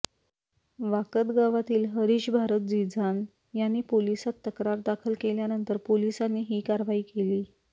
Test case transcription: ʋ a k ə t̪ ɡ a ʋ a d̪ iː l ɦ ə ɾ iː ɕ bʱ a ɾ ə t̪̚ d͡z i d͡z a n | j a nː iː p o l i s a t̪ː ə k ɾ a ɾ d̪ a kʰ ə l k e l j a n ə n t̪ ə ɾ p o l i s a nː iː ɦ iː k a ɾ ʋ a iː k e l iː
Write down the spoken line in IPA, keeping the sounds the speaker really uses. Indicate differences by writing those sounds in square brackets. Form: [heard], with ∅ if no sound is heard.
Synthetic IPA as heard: ʋ a k ə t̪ ɡ a ʋ a [t̪] iː l ɦ ə ɾ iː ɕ bʱ a ɾ ə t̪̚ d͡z i d͡z a n | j a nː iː p o l i s a t̪ː ə k ɾ a ɾ d̪ a kʰ ə l k e l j a n ə n t̪ ə ɾ p o l i s a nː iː ɦ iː k a ɾ ʋ a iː k e l iː